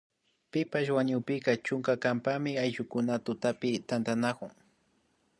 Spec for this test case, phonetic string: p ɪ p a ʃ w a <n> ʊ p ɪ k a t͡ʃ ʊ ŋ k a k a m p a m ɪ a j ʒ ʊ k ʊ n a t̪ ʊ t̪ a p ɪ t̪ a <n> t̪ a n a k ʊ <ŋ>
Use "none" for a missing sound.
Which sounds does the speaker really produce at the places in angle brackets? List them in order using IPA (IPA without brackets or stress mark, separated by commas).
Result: ɲ, n, ŋ